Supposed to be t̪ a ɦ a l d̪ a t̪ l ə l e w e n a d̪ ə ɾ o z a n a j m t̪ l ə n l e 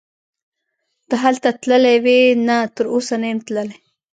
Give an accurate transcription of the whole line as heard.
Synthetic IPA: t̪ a ɦ a l t̪ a t̪ l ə l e w e n a t̪ ə ɾ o s a n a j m t̪ l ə l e

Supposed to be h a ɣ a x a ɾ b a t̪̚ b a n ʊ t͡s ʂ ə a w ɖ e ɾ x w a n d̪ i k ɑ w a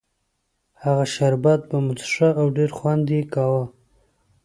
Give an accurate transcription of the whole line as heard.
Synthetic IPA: h a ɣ a ʃ a ɾ b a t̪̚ b a m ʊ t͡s ʂ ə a w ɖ e ɾ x w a n d̪ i k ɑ w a

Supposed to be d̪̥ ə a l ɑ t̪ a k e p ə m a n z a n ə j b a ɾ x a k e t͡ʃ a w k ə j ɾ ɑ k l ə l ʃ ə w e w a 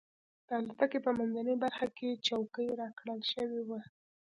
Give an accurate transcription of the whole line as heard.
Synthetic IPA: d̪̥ ə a l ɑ t̪ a k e p ə m a n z a n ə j b a ɾ x a k e t͡ʃ a w k ə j ɾ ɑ k ɽ ə l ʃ ə w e w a

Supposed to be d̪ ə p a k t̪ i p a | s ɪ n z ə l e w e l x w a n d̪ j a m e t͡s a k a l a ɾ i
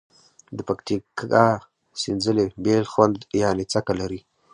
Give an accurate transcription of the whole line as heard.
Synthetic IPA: d̪ ə p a k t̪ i k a | s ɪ n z ə l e b e l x w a n d̪ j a n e t͡s a k a l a ɾ i

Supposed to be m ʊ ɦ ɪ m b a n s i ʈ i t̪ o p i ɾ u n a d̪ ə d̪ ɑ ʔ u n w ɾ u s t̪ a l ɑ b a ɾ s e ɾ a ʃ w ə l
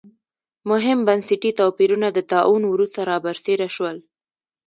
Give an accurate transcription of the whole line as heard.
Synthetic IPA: m ʊ ɦ ɪ m b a n s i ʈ i t̪ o p i ɾ u n a d̪ ə t̪ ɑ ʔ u n w ɾ u s t̪ a ɾ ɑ b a ɾ s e ɾ a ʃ w ə l

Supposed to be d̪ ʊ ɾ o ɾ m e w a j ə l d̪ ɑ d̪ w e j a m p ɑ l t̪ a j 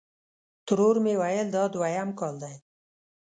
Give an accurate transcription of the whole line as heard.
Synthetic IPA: t̪ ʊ ɾ o ɾ m e w a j ə l d̪ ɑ d̪ w a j a m k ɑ l d̪ a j

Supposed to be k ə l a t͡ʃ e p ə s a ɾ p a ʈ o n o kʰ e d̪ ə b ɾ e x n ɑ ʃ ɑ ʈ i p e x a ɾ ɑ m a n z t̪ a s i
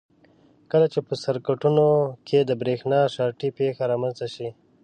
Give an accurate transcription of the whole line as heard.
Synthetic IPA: k ə l a t͡ʃ e p ə s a ɾ k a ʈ u n o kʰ e d̪ ə b ɾ e x n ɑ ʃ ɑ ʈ i p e x a ɾ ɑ m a n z t̪ a ʃ i

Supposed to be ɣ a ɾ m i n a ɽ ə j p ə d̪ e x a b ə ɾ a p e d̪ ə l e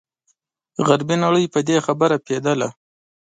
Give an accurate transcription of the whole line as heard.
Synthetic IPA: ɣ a ɾ b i n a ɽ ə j p ə d̪ e x a b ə ɾ a p e d̪ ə l a

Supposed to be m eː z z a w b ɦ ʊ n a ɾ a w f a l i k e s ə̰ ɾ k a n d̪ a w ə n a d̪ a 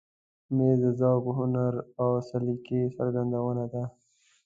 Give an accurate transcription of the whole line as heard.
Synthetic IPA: m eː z z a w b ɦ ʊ n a ɾ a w s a l i k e s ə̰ ɾ ɡ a n d̪ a w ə n a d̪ a

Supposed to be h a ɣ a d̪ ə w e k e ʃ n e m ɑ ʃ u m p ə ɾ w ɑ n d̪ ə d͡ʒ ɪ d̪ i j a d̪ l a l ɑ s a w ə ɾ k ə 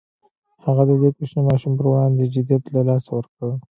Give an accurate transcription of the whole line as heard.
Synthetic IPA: h a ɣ a d̪ ə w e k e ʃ n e m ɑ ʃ u m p ə ɾ w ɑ n d̪ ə d͡ʒ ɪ d̪ i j a t̪ l a l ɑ s a w ə ɾ k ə

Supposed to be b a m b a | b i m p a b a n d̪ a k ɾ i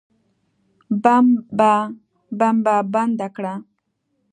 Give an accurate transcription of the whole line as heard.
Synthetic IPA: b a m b a | b a m b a b a n d̪ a k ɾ a

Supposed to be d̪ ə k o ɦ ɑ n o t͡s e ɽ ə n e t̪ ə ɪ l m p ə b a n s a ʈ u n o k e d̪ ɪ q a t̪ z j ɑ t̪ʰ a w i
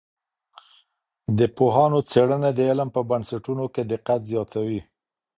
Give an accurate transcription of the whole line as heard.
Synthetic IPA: d̪ ə p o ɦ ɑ n o t͡s e ɽ ə n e d̪ ə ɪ l m p ə b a n s a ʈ u n o k e d̪ ɪ q a t̪ z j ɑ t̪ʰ a w i

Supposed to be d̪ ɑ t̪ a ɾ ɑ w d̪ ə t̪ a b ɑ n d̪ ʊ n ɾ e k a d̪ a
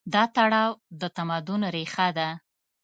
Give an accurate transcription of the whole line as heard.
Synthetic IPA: d̪ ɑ t̪ a ɽ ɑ w d̪ ə t̪ a m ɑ d̪ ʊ n ɾ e x a d̪ a

